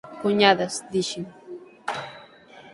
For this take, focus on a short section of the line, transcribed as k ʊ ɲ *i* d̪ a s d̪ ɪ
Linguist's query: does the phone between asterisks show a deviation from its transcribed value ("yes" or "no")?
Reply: yes